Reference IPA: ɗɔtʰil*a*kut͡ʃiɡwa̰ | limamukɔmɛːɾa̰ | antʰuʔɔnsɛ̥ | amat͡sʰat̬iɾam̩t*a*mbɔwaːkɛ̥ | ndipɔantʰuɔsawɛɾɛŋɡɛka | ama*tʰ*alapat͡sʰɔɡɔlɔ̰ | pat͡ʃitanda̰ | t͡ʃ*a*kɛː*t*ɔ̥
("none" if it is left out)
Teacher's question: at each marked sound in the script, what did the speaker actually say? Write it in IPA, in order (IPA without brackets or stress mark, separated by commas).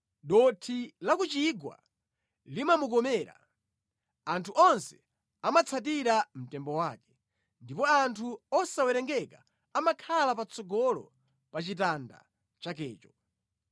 a, ɛ, kʰ, a, t͡ʃ